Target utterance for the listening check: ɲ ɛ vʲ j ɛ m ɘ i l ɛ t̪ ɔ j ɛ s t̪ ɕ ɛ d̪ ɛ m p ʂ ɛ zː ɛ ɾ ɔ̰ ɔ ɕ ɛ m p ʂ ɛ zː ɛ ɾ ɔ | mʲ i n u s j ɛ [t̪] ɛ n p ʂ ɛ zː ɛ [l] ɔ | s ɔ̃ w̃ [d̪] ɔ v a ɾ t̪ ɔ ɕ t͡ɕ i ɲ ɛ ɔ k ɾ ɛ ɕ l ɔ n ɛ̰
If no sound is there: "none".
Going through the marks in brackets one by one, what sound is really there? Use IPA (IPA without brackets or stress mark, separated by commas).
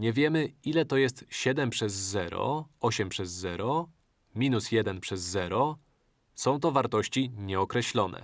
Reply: d̪, ɾ, t̪